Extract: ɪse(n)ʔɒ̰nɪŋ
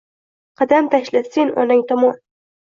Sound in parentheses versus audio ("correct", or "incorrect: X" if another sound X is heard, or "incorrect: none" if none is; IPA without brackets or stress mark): correct